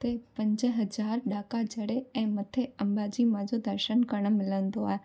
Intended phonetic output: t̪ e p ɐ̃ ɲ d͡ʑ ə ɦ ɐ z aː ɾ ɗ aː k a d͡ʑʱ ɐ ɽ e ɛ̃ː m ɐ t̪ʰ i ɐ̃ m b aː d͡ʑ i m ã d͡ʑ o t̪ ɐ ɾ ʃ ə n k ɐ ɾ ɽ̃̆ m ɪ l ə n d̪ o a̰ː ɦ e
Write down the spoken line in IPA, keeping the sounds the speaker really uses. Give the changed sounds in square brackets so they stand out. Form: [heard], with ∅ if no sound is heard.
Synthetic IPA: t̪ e p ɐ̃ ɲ d͡ʑ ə ɦ ɐ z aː ɾ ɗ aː k a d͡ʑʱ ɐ ɽ e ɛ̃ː m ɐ t̪ʰ [e] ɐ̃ m b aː d͡ʑ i m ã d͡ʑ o [d̪] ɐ ɾ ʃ ə n k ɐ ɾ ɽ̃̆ m ɪ l ə n d̪ o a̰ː ɦ e